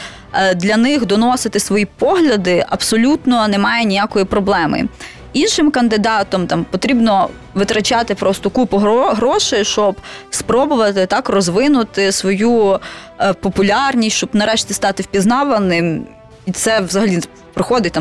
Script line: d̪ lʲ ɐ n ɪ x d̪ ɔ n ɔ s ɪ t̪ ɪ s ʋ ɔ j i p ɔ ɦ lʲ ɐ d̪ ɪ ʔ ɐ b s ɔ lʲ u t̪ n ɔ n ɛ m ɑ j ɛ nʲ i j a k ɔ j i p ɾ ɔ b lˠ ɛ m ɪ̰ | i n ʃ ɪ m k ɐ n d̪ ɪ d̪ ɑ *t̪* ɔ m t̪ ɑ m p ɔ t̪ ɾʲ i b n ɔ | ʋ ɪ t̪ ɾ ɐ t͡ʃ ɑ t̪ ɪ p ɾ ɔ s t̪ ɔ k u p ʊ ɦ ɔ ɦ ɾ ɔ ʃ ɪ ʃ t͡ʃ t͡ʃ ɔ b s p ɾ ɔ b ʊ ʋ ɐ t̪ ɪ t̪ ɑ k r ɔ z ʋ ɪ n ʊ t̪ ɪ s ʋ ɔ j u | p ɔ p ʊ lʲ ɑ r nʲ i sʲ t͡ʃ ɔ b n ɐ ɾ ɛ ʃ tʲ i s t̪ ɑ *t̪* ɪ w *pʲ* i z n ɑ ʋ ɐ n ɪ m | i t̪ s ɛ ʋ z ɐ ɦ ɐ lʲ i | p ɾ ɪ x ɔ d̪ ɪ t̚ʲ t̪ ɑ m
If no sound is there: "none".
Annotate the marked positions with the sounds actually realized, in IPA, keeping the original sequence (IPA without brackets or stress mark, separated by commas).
t̪, t̪, pʲ